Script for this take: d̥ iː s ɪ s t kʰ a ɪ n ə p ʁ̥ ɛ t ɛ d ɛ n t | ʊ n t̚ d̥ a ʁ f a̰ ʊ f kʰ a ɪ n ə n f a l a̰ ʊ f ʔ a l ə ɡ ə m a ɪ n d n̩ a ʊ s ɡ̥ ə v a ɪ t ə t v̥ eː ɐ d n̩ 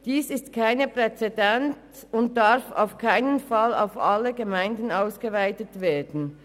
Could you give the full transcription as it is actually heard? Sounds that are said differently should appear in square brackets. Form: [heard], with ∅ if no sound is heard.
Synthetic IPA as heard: d̥ iː s ɪ s t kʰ a ɪ n ə p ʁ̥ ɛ [t͡s] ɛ d ɛ n t | ʊ n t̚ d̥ a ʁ f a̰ ʊ f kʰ a ɪ n ə n f a l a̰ ʊ f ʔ a l ə ɡ ə m a ɪ n d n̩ a ʊ s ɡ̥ ə v a ɪ t ə t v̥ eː ɐ d n̩